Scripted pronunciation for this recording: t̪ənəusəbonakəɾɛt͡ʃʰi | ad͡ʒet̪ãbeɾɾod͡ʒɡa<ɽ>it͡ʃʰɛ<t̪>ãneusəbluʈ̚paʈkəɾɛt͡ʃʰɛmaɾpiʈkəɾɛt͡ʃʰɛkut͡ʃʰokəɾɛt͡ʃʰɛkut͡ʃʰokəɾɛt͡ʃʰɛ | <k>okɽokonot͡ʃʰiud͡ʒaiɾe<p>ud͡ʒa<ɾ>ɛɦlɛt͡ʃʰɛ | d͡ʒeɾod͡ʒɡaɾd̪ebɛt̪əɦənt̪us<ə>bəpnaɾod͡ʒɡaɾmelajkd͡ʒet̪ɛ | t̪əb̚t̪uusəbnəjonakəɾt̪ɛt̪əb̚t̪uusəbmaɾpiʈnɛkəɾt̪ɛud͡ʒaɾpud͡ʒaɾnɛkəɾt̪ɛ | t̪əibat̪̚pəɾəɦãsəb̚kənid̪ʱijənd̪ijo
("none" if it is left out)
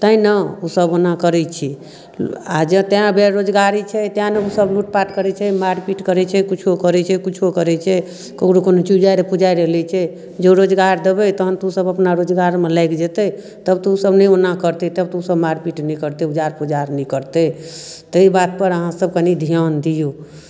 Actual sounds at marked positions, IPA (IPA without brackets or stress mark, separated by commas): ɾ, t̪, k, p, ɾ, ə